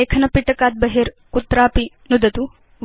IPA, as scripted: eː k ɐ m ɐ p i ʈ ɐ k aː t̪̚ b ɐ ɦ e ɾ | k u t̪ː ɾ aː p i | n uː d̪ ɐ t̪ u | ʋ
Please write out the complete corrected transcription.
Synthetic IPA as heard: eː kʰ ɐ n ɐ p i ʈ ɐ k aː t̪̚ b ɐ ɦ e ɾ | k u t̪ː ɾ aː p i | n u d̪ ɐ t̪ u | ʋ